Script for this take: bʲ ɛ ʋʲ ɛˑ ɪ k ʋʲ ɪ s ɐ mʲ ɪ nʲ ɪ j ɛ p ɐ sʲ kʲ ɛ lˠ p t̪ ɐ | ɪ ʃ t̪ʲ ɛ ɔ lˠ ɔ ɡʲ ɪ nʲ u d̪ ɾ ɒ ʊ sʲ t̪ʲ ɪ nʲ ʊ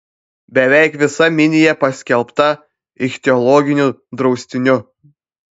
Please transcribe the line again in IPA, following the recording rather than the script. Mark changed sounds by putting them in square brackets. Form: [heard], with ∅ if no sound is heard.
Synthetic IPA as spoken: bʲ ɛ ʋʲ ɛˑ ɪ k ʋʲ ɪ s ɐ mʲ ɪ nʲ ɪ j ɛ p ɐ sʲ kʲ ɛ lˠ p t̪ ɐ | ɪ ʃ t̪ʲ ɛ ɔ lˠ ɔ ɡʲ ɪ nʲ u d̪ ɾ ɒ ʊ sʲ t̪ʲ ɪ nʲ ʊ

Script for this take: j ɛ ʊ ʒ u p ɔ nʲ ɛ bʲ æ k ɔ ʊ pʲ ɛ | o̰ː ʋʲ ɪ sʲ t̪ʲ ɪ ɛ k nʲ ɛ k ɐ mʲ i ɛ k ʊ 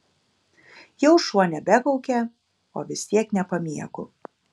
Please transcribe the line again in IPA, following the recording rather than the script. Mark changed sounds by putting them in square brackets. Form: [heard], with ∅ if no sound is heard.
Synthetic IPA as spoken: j ɛ ʊ [ʃ] u [∅] ɔ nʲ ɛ bʲ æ k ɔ ʊ [kʲ] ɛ | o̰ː ʋʲ ɪ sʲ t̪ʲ [i] ɛ k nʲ ɛ [p] ɐ mʲ i ɛ k ʊ

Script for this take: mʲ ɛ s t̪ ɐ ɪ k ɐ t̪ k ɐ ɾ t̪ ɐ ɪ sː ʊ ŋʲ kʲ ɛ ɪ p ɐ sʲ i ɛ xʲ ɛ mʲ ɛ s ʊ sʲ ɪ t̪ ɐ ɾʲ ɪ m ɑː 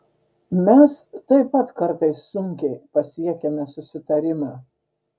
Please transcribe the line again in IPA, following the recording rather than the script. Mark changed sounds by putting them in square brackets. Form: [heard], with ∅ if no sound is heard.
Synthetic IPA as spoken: mʲ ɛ s t̪ ɐ ɪ [p] ɐ t̪ k ɐ ɾ t̪ ɐ ɪ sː ʊ ŋʲ kʲ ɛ ɪ p ɐ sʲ i ɛ [kʲ] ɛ mʲ ɛ s ʊ sʲ ɪ t̪ ɐ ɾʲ ɪ m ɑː

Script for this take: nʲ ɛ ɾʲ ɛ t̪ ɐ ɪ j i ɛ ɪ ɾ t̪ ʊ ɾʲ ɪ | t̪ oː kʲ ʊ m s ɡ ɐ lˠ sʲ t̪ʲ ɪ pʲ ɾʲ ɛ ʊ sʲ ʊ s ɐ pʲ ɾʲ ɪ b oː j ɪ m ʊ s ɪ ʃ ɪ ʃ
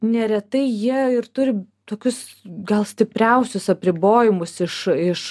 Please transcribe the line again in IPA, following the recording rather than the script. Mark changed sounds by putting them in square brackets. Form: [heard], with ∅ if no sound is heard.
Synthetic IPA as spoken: nʲ ɛ ɾʲ ɛ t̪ ɐ ɪ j i ɛ ɪ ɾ t̪ ʊ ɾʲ ɪ | t̪ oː kʲ ʊ [∅] s ɡ ɐ lˠ sʲ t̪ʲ ɪ pʲ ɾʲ ɛ ʊ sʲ ʊ s ɐ pʲ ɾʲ ɪ b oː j ɪ m ʊ s ɪ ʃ ɪ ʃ

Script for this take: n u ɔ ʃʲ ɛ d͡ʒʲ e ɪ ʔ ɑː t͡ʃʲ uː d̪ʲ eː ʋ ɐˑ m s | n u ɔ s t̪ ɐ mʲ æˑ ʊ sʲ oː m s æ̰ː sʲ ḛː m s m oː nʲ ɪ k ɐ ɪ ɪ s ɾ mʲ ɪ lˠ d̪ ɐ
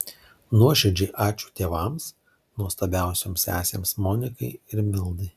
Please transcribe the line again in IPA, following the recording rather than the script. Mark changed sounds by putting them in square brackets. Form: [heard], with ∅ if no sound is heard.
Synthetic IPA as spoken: n u ɔ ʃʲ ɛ d͡ʒʲ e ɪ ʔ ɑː t͡ʃʲ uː [t̪ʲ] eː ʋ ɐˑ m s | n u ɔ s t̪ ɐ [bʲ] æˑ ʊ sʲ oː m s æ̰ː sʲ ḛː m s m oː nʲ ɪ k ɐ ɪ ɪ [∅] ɾ mʲ ɪ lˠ d̪ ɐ

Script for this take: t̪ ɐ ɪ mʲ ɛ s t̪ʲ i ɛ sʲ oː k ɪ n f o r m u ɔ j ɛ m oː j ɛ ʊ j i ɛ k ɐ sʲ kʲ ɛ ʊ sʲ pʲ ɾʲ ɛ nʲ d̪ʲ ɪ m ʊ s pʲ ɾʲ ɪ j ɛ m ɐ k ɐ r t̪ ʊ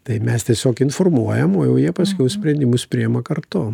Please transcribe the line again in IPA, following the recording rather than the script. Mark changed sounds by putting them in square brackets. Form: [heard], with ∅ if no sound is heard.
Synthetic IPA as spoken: t̪ ɐ ɪ mʲ ɛ s t̪ʲ i ɛ sʲ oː k ɪ n f o r m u ɔ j ɛ m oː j ɛ ʊ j i ɛ [p] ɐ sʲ kʲ ɛ ʊ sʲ pʲ ɾʲ ɛ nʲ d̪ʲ ɪ m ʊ s pʲ ɾʲ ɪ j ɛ m ɐ k ɐ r t̪ ʊ

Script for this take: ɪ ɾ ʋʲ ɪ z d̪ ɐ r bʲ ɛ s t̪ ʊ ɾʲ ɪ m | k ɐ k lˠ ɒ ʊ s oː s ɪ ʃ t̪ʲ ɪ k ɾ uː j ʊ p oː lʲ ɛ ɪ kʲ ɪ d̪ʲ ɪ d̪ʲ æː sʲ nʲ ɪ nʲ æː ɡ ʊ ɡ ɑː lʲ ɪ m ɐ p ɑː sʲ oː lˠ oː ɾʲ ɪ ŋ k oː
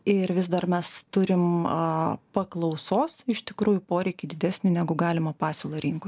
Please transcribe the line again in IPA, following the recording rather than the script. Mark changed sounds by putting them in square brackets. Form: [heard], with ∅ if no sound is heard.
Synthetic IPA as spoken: ɪ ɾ ʋʲ ɪ z d̪ ɐ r [mʲ] ɛ s t̪ ʊ ɾʲ ɪ m | [p] ɐ k lˠ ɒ ʊ s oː s ɪ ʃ t̪ʲ ɪ k ɾ uː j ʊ p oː [ɾʲ] ɛ ɪ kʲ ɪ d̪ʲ ɪ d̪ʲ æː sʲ nʲ ɪ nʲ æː ɡ ʊ ɡ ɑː lʲ ɪ m ɐ p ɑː sʲ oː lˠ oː ɾʲ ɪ ŋ k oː

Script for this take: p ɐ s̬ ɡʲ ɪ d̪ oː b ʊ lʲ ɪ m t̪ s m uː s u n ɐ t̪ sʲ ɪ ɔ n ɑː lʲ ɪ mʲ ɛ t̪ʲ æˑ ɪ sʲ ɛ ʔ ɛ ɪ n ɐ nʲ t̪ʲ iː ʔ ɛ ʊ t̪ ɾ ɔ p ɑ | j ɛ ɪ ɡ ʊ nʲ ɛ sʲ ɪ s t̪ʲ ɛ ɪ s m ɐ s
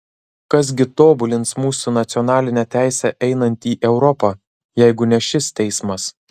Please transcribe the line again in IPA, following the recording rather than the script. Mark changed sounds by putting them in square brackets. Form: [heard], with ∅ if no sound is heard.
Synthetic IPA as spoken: [k] ɐ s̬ ɡʲ ɪ [t̪] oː b ʊ lʲ ɪ [n] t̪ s m uː s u n ɐ t̪ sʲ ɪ ɔ n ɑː lʲ ɪ [nʲ] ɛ t̪ʲ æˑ ɪ sʲ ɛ ʔ ɛ ɪ n ɐ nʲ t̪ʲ iː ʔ ɛ ʊ [∅] ɾ ɔ p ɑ | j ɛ ɪ ɡ ʊ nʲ ɛ [ʃʲ] ɪ s t̪ʲ ɛ ɪ s m ɐ s

